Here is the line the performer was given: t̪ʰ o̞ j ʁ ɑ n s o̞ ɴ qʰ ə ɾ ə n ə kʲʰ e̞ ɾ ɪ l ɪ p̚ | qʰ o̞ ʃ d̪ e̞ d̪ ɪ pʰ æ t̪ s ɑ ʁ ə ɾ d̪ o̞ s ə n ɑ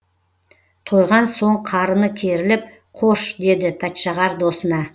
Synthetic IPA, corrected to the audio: t̪ʰ o̞ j ʁ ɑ n s o̞ ɴ qʰ ɑ ɾ ə n ə kʲʰ e̞ ɾ ɪ l ɪ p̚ | qʰ o̞ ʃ d̪ e̞ d̪ ɪ pʰ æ t̪ ʃ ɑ ʁ ɑ ɾ d̪ o̞ s ə n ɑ